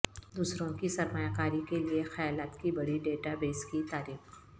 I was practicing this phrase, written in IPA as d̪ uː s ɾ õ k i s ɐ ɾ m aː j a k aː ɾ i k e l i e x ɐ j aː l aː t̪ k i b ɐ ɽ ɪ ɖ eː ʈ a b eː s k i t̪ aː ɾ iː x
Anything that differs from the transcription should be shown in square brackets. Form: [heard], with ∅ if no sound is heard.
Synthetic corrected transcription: d̪ uː s ɾ õ k i s ɐ ɾ m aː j a k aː ɾ i k e l i e x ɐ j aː l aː t̪ k i b ɐ ɽ [i] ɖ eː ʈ a b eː s k i t̪ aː ɾ iː x